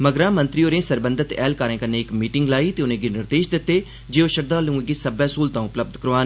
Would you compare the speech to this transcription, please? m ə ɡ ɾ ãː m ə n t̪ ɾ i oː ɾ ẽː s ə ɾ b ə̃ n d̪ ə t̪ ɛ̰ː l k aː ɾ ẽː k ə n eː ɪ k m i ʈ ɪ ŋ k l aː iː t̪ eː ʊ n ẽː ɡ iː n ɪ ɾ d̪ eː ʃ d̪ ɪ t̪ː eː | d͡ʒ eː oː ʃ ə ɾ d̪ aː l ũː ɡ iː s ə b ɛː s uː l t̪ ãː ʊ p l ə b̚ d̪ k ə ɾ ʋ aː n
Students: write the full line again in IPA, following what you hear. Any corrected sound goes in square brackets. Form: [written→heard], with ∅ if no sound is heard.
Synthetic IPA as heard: m ə ɡ ɾ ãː m ə n t̪ ɾ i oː ɾ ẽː s ə ɾ b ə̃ n d̪ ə t̪ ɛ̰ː l k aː ɾ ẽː k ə n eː ɪ k m [i→iː] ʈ ɪ ŋ [k→ɡ] l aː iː t̪ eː ʊ n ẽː ɡ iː n ɪ ɾ d̪ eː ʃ d̪ ɪ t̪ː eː | d͡ʒ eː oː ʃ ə ɾ d̪ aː l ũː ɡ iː s ə b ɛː s uː l t̪ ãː ʊ p l ə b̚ d̪ k ə ɾ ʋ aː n

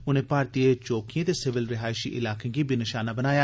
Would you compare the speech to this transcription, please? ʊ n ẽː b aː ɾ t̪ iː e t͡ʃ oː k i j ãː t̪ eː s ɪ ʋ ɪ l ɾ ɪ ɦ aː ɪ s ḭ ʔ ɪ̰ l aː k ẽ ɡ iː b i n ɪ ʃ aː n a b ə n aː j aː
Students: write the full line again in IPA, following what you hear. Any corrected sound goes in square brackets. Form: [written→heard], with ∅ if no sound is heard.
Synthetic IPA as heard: ʊ n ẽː [b→p] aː ɾ t̪ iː e t͡ʃ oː k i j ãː t̪ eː s ɪ ʋ ɪ l ɾ ɪ ɦ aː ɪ [s→ʃ] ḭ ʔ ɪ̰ l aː k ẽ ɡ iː b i n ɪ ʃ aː n a b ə n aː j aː

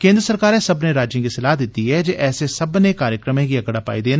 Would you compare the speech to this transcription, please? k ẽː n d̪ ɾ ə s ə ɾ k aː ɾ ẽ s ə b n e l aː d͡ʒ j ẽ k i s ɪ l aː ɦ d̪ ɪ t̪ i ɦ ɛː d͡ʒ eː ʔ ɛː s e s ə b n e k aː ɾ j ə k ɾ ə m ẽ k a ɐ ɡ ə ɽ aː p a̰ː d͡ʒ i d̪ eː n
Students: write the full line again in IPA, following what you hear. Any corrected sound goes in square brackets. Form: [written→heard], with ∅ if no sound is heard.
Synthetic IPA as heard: k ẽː n d̪ ɾ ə s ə ɾ k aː ɾ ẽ s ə b n e [l→ɾ] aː d͡ʒ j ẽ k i s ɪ l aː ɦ d̪ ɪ t̪ i ɦ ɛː d͡ʒ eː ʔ ɛː s e s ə b n e k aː ɾ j ə k ɾ ə m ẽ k [a→i] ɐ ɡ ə ɽ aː p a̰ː [d͡ʒ→∅] i d̪ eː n

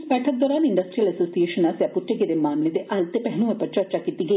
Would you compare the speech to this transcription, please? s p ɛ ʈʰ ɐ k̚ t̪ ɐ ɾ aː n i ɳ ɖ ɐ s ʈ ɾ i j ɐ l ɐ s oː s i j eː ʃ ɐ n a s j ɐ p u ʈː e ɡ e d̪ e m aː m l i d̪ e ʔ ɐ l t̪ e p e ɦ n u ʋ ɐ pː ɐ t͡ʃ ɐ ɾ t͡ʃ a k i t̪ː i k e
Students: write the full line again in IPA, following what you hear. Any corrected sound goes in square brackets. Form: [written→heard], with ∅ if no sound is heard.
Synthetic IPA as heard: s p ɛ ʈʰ ɐ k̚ [t̪→d̪] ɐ ɾ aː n i ɳ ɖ ɐ s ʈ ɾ i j ɐ l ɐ s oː s i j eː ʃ ɐ n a s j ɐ p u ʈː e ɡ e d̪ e m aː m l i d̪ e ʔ ɐ l t̪ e p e ɦ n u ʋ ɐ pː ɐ t͡ʃ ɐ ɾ t͡ʃ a k i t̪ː i [k→ɡ] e

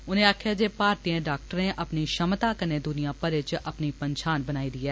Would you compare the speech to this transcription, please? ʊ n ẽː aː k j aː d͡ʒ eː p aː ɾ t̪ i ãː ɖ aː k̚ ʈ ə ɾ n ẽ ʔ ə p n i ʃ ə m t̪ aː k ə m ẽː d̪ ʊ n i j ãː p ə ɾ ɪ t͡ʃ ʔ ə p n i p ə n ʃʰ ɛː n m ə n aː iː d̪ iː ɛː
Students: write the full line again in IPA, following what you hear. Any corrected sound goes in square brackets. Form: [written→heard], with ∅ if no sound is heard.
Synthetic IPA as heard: ʊ n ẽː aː [k→kʰ] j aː d͡ʒ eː p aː ɾ t̪ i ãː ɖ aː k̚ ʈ ə ɾ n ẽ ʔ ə p n i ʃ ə m t̪ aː k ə [m→n] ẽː d̪ ʊ n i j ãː p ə ɾ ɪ t͡ʃ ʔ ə p n i p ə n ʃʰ [ɛː→aː] n [m→b] ə n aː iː d̪ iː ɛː

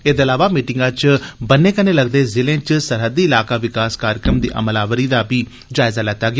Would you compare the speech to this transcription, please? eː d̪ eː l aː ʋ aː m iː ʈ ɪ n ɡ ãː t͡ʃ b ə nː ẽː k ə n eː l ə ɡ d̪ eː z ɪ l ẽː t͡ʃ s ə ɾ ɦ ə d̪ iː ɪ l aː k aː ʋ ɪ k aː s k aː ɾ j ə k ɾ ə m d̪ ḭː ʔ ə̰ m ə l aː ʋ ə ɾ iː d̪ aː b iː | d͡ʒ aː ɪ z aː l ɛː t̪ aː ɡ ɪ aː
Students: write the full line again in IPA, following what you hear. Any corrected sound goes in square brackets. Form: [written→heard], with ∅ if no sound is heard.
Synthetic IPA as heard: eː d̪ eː l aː ʋ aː m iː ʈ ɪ [n→ŋ] ɡ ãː t͡ʃ b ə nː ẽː k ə n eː l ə ɡ d̪ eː z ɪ l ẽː t͡ʃ s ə ɾ ɦ ə d̪ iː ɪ l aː k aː ʋ ɪ k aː s k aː ɾ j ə k ɾ ə m d̪ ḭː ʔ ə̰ m ə l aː ʋ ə ɾ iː d̪ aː b iː | d͡ʒ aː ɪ z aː l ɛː t̪ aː ɡ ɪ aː

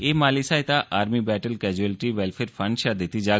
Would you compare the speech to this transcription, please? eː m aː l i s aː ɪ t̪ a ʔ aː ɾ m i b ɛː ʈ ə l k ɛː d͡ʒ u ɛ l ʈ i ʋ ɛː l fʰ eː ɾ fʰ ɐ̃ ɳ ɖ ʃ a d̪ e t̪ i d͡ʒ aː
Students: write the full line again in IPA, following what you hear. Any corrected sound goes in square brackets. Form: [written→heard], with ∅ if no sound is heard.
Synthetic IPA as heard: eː m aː l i s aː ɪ t̪ a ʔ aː ɾ m i b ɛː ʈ ə l k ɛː d͡ʒ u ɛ l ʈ i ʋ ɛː l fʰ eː ɾ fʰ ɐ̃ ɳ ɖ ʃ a d̪ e t̪ i d͡ʒ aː

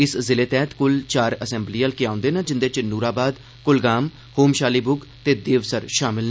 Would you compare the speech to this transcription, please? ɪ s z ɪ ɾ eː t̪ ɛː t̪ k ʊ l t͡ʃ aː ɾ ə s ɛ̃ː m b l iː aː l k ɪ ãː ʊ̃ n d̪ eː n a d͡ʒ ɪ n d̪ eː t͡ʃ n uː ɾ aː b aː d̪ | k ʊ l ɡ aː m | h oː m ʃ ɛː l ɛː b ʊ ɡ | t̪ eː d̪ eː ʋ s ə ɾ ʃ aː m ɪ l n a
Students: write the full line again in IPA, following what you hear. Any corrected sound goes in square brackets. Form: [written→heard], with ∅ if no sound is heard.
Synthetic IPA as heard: ɪ s z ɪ [ɾ→l] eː t̪ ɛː t̪ k ʊ l t͡ʃ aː ɾ ə s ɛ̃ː m b l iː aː l k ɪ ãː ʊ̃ n d̪ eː n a d͡ʒ ɪ n d̪ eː t͡ʃ n uː ɾ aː b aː d̪ | k ʊ l ɡ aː m | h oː m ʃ [ɛː→aː] l [ɛː→iː] b ʊ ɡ | t̪ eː d̪ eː ʋ s ə ɾ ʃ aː m ɪ l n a

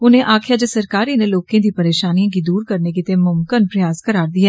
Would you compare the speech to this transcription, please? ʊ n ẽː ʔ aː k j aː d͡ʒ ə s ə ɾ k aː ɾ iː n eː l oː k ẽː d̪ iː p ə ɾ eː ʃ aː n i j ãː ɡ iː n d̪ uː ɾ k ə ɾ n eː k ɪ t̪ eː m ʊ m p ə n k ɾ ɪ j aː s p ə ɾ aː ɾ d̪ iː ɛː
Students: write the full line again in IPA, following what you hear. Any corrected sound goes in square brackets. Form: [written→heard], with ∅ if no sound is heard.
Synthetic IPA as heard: ʊ n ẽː ʔ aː [k→kʰ] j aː d͡ʒ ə s ə ɾ k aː ɾ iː n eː l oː k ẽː d̪ iː p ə ɾ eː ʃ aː n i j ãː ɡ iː [n→∅] d̪ uː ɾ k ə ɾ n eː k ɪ t̪ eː m ʊ m [p→k] ə n [k→p] ɾ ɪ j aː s [p→k] ə ɾ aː ɾ d̪ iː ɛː

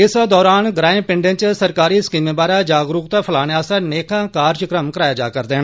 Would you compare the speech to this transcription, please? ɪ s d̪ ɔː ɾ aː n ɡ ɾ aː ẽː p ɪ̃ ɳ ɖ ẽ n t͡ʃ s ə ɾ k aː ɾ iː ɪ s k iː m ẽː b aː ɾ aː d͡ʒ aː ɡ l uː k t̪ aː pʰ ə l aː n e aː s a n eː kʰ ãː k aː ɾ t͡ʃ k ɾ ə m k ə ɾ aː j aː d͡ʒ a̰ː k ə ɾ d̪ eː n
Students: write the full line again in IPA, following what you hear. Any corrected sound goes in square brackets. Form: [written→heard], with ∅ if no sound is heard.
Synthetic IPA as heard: ɪ s d̪ ɔː ɾ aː n ɡ ɾ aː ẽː p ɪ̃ ɳ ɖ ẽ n t͡ʃ s ə ɾ k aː ɾ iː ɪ s k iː m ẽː b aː ɾ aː d͡ʒ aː ɡ [l→ɾ] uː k t̪ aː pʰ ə l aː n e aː s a n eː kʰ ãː k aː ɾ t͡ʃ k ɾ ə m k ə ɾ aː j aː d͡ʒ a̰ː k ə ɾ d̪ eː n

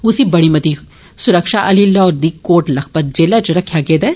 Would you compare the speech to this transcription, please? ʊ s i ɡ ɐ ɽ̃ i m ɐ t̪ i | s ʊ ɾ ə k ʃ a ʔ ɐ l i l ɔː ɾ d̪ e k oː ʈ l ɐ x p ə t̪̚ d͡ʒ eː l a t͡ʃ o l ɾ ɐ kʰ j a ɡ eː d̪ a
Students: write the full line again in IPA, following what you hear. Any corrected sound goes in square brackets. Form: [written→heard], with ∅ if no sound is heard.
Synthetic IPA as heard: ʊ s i [ɡ→b] ɐ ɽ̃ i m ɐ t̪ i | s ʊ ɾ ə k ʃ a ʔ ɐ l i l ɔː ɾ d̪ [e→i] k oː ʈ l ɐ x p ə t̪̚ d͡ʒ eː l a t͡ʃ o [l→∅] ɾ ɐ kʰ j a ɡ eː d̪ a

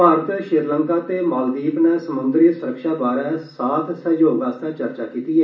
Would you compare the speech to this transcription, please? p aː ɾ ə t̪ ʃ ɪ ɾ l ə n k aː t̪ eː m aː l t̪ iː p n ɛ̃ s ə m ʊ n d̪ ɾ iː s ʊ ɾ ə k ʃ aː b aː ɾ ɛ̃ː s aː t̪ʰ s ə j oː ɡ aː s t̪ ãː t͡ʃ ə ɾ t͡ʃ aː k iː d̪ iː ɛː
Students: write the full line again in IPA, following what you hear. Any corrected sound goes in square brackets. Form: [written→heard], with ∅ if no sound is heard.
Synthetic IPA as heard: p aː ɾ ə t̪ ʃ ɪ ɾ l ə [n→ŋ] k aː t̪ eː m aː l [t̪→d̪] iː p n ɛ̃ s ə m ʊ n d̪ ɾ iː s ʊ ɾ ə k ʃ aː b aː ɾ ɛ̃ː s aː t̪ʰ s ə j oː ɡ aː s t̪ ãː t͡ʃ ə ɾ t͡ʃ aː k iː [d̪→t̪] iː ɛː

